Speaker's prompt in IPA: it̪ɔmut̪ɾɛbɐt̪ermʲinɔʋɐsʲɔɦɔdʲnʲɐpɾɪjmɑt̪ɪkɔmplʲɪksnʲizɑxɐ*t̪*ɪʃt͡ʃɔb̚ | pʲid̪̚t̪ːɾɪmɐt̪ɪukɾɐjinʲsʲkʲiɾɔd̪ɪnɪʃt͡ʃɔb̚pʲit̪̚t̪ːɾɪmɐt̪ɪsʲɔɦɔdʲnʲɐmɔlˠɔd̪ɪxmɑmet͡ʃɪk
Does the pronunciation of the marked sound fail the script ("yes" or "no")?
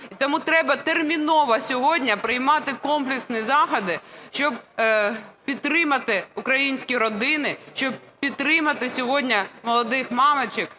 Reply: yes